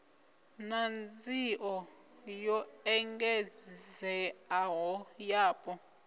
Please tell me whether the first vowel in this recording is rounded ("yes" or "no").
no